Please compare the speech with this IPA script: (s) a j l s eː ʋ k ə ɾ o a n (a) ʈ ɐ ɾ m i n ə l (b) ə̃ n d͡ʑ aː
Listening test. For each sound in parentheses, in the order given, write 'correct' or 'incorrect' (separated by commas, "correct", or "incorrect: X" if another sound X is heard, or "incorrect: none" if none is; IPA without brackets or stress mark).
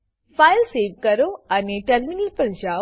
incorrect: f, incorrect: e, incorrect: p